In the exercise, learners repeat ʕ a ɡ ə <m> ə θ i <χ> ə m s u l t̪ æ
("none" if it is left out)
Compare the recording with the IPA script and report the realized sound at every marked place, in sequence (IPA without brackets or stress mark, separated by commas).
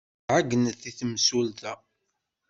n, θ